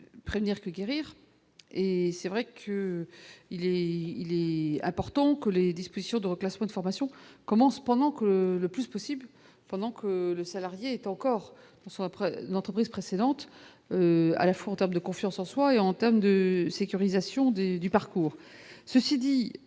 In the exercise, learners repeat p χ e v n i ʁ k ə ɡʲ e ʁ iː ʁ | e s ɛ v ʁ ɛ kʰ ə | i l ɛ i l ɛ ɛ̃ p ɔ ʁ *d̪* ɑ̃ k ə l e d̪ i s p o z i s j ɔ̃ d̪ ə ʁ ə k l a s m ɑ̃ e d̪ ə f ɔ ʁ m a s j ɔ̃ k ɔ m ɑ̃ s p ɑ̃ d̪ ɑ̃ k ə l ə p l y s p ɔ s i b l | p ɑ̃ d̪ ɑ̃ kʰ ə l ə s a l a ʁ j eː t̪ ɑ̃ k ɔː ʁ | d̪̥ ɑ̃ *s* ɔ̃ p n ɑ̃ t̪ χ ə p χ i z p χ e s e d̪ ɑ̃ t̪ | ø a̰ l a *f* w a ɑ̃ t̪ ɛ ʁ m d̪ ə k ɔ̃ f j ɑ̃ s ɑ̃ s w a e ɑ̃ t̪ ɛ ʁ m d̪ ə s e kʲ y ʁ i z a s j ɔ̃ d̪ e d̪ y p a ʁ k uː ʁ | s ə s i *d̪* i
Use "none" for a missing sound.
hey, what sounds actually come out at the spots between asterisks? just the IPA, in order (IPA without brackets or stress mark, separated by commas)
t̪, s, f, d̪